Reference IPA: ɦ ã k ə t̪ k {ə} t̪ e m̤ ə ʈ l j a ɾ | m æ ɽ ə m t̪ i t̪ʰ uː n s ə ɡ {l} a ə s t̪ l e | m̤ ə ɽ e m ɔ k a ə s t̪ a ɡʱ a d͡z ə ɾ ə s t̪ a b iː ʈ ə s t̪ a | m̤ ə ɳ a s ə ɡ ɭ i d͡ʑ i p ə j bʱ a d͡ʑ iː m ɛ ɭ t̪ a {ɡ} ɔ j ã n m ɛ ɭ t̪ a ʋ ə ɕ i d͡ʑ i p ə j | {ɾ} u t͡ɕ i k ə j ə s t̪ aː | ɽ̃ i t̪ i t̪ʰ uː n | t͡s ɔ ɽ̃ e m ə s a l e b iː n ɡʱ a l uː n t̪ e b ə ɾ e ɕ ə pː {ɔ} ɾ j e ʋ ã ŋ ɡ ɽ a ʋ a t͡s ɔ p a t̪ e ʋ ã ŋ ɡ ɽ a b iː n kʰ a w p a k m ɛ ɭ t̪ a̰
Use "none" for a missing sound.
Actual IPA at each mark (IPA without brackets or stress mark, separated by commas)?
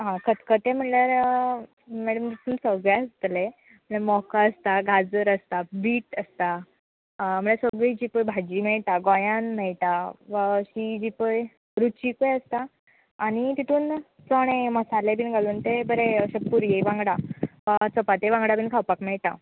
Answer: ə, ɭ, ɡ, ɾ, u